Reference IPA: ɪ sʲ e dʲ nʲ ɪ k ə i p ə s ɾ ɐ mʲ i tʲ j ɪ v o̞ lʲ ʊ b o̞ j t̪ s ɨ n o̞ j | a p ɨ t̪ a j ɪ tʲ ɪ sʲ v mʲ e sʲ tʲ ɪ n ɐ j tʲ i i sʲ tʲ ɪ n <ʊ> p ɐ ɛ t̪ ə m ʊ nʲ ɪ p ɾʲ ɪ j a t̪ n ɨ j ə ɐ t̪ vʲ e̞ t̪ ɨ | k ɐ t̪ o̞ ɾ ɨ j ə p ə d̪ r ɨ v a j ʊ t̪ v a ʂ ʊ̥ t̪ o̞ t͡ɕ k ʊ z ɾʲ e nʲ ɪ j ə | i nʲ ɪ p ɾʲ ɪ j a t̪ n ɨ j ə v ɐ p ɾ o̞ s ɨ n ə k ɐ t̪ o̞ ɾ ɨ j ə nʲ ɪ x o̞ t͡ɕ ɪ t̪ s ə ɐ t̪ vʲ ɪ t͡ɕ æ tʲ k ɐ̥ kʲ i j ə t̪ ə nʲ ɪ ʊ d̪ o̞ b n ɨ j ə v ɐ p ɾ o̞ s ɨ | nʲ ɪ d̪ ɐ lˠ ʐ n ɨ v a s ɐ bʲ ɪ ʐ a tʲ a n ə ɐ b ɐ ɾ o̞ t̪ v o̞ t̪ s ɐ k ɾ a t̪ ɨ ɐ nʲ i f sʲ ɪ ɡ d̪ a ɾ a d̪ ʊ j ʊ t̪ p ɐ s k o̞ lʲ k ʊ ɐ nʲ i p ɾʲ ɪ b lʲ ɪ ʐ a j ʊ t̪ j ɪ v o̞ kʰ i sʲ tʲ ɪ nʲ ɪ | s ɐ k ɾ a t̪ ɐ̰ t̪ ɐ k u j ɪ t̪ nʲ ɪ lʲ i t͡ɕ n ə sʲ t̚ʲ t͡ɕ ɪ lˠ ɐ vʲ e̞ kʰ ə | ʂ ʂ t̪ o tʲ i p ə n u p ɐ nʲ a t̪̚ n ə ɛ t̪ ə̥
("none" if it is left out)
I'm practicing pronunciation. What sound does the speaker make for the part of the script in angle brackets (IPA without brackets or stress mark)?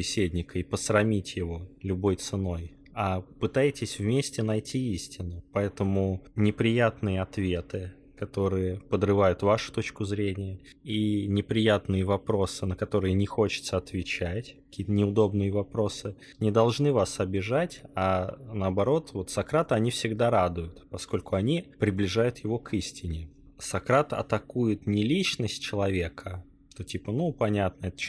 ʊ